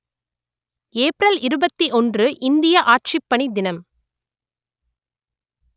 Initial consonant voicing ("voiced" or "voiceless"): voiceless